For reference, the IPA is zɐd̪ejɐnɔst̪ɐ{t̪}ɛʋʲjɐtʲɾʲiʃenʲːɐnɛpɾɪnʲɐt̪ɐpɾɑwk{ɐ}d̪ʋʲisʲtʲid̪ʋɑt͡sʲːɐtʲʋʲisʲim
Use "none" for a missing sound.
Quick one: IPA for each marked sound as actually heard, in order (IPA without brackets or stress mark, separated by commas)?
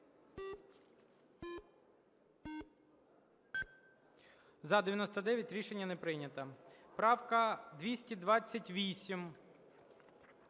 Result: d̪, ɐ